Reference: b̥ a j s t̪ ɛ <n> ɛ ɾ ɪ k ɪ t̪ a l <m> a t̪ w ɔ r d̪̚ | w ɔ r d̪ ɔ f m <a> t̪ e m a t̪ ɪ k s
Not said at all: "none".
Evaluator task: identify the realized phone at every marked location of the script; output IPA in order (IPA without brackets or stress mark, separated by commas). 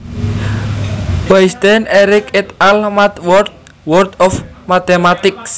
n, m, a